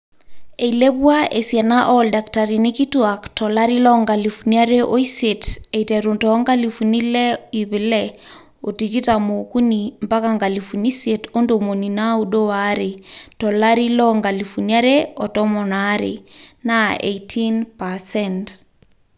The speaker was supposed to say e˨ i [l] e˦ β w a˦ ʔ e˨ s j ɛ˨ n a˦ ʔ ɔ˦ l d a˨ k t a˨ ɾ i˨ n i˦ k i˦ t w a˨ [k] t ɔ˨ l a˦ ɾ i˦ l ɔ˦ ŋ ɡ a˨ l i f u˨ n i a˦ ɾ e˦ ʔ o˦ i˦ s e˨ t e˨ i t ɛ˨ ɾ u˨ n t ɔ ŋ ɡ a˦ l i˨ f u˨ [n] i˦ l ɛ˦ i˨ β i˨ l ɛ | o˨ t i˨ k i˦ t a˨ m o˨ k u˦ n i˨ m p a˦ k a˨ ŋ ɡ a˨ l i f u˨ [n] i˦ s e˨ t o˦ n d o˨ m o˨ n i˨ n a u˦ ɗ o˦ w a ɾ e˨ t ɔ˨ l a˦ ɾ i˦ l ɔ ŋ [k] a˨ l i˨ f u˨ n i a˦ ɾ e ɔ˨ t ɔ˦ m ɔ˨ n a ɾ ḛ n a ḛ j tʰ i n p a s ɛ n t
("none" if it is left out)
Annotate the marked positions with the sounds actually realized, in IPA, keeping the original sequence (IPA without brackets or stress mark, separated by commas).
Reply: l, k, n, n, ɡ